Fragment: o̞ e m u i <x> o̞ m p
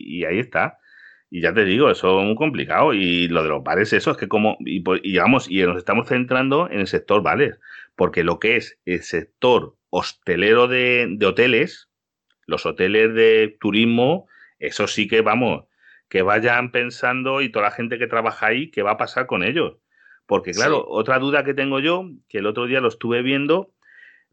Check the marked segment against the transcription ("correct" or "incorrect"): incorrect